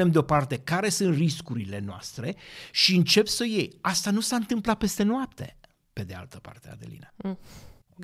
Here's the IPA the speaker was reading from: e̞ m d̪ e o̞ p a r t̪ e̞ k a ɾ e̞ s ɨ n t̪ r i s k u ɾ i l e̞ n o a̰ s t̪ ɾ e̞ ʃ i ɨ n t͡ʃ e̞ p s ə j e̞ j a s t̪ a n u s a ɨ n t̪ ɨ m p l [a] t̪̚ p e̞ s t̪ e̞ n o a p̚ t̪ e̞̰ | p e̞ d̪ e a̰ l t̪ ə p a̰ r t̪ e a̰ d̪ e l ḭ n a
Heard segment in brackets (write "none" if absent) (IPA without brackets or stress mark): a